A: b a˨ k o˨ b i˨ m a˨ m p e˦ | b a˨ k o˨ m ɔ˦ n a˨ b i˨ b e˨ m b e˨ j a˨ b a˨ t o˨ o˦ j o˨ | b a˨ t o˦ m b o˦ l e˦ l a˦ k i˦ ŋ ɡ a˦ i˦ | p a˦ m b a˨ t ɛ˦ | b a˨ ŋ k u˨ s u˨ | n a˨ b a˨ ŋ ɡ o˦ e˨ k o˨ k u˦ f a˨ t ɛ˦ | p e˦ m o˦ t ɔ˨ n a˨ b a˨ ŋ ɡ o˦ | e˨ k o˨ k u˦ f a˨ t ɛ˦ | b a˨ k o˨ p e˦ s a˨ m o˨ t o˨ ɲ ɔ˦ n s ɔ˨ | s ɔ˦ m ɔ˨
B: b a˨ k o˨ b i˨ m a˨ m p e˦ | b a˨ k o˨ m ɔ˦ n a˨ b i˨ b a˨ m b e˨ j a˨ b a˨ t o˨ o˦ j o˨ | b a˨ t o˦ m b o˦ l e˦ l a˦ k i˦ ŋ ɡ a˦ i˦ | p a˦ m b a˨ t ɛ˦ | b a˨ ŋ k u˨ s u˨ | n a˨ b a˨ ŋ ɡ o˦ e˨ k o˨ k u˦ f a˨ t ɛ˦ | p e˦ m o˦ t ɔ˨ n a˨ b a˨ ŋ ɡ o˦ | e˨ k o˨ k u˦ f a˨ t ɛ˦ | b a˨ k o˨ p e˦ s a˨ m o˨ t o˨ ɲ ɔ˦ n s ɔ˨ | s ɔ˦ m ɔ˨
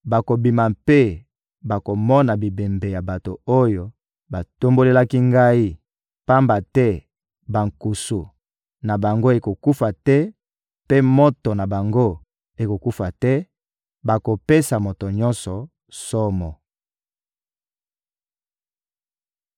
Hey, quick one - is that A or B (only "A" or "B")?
A